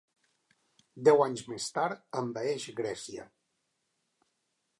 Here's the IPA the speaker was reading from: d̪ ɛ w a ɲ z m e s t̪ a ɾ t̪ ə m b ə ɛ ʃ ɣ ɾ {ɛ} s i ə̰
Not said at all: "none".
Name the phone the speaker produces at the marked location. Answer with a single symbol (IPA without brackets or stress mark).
ɛ